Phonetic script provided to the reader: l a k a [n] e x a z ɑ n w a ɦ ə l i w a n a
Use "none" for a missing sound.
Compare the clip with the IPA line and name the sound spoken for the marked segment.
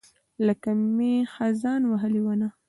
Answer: m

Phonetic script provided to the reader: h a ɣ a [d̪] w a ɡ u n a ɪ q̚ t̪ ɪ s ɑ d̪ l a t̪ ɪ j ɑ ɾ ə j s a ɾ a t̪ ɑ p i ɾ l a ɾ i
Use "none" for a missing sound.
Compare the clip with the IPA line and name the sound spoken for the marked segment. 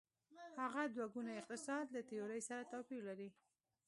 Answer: d̪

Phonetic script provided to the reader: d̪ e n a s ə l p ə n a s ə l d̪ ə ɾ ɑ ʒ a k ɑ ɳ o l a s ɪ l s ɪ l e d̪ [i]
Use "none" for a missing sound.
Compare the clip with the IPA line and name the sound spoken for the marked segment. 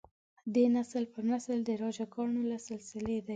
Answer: a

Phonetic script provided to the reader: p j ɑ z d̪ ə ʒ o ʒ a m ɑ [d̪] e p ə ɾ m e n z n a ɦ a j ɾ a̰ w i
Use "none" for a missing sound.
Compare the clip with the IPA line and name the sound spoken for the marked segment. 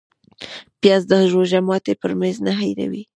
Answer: t̪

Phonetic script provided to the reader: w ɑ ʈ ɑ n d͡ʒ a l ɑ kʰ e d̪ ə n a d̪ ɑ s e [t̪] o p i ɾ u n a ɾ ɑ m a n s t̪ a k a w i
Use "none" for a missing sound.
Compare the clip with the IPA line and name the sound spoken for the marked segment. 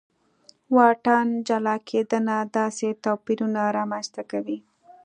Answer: t̪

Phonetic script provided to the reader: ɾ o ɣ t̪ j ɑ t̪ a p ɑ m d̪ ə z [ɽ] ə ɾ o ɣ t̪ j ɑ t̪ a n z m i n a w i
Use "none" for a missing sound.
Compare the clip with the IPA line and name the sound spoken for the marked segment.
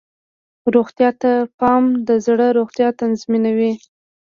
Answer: ɽ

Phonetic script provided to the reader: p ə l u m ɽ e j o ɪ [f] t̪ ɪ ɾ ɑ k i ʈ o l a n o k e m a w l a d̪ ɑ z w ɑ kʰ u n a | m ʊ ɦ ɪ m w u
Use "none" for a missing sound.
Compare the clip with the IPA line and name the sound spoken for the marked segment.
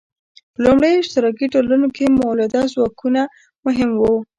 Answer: ʃ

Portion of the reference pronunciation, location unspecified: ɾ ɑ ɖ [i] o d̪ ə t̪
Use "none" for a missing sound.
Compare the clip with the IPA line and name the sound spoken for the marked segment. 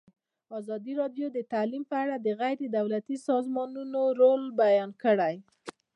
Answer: j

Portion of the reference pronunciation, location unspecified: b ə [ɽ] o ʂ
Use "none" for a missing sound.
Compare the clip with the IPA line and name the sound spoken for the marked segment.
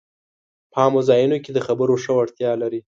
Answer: ɾ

